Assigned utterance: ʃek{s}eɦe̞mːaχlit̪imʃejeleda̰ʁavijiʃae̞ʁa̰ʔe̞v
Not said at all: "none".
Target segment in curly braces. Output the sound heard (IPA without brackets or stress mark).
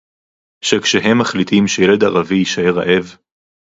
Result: ʃ